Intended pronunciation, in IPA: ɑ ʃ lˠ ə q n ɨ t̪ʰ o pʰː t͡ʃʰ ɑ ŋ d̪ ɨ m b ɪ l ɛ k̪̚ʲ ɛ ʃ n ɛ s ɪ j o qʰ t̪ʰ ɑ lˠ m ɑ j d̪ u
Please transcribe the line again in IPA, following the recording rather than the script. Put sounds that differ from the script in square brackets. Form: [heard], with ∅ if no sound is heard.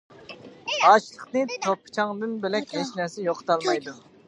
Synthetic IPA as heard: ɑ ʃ lˠ ə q n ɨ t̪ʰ o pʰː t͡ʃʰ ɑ ŋ d̪ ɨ [n] b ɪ l ɛ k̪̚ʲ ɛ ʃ n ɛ s ɪ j o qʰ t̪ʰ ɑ lˠ m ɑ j d̪ u